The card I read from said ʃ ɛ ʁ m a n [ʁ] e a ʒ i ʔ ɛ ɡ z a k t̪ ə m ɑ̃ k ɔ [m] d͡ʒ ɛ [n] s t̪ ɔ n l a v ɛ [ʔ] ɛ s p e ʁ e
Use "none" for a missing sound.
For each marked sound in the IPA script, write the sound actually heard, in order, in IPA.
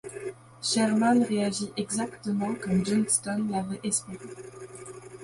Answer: ʁ, m, n, ʔ

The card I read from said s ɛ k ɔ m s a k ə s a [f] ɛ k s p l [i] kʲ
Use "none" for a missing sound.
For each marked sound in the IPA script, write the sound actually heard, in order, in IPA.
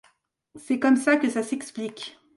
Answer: s, i

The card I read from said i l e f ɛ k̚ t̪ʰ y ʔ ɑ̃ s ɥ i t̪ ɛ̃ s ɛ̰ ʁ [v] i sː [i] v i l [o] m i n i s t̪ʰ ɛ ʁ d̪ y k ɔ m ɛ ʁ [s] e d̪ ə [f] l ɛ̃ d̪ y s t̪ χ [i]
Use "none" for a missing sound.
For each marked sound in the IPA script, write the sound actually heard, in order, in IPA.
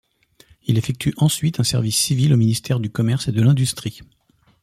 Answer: v, i, o, s, none, i

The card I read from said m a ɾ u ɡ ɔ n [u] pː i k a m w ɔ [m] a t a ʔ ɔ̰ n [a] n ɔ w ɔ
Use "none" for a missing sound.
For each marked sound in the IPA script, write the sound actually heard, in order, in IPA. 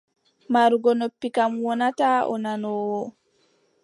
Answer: o, n, a

